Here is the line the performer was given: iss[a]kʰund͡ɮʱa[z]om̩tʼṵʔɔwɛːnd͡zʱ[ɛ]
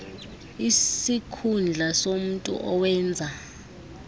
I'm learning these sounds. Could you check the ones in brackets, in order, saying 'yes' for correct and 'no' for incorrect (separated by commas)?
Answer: no, no, no